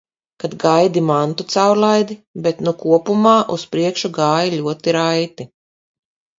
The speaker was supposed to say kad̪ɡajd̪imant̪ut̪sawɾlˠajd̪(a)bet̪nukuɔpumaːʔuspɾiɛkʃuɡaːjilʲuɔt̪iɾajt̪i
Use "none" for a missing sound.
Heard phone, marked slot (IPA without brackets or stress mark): i